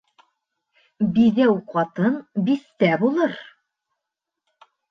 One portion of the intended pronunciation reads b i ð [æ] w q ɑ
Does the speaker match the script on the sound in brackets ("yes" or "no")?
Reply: yes